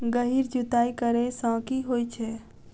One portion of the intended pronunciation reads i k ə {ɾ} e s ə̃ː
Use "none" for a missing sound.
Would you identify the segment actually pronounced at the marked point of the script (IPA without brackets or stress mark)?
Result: ɾ